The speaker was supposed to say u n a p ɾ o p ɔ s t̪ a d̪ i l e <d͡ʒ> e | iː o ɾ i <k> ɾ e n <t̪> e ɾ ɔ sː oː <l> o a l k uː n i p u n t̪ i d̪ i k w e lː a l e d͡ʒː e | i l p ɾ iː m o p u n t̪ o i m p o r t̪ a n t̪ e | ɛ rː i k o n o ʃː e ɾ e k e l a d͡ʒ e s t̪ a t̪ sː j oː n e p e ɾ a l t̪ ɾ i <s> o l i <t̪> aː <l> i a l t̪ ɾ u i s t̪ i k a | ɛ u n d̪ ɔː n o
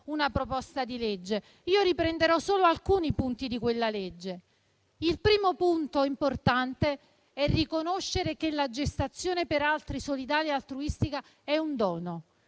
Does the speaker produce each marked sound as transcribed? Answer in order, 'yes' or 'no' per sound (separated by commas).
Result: no, no, no, yes, yes, no, yes